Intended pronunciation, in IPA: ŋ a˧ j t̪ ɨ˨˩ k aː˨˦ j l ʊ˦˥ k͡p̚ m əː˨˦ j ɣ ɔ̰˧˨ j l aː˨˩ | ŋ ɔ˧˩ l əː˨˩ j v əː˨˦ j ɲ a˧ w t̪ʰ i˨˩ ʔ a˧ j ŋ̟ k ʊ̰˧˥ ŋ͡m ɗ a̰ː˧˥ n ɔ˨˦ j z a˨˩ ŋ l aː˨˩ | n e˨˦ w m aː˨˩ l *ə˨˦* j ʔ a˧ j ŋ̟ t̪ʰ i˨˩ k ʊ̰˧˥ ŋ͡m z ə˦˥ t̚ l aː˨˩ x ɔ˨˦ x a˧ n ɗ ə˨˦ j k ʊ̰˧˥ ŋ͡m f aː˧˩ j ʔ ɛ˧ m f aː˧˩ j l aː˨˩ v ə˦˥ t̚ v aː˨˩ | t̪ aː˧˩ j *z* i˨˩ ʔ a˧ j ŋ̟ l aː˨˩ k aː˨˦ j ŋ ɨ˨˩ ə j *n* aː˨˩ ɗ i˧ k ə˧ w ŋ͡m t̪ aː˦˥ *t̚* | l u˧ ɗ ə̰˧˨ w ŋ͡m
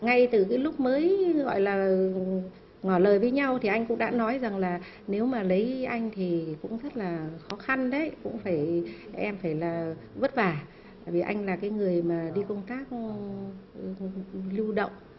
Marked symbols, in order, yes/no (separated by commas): yes, no, no, no